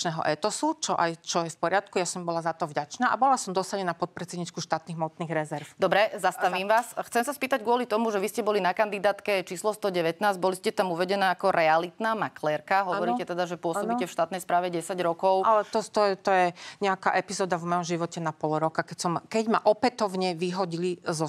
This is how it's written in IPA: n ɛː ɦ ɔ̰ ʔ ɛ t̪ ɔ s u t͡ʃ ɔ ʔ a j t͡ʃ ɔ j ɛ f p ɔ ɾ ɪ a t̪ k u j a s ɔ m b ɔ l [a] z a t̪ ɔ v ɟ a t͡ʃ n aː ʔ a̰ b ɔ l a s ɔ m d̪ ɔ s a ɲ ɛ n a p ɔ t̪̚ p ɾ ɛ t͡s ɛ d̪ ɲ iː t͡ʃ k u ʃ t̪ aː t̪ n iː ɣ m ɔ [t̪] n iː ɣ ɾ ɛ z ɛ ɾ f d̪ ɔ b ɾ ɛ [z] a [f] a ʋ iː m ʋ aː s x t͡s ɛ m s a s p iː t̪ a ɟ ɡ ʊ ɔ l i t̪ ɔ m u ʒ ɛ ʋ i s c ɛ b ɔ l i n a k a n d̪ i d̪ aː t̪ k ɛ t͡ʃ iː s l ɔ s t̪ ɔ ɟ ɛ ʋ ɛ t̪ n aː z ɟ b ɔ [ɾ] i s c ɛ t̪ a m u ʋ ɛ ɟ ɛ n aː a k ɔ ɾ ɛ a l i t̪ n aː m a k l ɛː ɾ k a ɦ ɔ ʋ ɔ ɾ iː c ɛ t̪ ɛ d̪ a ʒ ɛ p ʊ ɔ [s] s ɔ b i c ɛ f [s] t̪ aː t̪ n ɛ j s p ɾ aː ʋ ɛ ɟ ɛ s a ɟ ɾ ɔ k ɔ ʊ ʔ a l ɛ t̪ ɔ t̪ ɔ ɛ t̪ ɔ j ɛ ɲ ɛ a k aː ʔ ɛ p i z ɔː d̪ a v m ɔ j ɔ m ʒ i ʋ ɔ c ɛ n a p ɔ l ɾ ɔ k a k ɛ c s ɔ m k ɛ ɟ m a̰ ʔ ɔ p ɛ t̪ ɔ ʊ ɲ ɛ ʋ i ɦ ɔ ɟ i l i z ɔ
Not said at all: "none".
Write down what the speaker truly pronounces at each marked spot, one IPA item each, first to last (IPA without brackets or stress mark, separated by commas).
a, t̪, z, s, l, s, ʃ